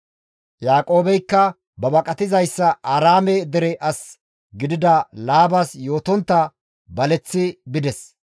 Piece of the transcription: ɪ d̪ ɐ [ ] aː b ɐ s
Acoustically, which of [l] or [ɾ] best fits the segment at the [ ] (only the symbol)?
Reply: l